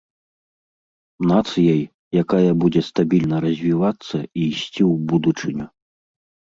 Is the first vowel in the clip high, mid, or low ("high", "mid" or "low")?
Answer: low